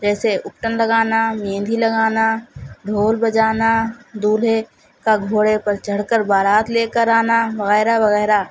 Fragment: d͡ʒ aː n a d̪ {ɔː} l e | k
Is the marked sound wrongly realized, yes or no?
yes